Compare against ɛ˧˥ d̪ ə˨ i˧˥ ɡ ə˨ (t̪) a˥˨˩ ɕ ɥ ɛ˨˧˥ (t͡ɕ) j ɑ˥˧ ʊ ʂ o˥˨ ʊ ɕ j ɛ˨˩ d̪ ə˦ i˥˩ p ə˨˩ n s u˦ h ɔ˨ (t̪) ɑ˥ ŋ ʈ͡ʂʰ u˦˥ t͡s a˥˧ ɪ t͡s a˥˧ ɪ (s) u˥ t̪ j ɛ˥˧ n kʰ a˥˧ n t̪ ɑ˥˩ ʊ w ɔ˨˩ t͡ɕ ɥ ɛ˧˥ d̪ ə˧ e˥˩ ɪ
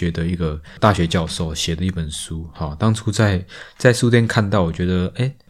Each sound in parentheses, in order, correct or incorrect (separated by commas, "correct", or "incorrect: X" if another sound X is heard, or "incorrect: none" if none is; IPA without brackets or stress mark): correct, correct, correct, correct